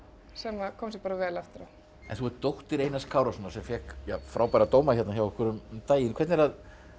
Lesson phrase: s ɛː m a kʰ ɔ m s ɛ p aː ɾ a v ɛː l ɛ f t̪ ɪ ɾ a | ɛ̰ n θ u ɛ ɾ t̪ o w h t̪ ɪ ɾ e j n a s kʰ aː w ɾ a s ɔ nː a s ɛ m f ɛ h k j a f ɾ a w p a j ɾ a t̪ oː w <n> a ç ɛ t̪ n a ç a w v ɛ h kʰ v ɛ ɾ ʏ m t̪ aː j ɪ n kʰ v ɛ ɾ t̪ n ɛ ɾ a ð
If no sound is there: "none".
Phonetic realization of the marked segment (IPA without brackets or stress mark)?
m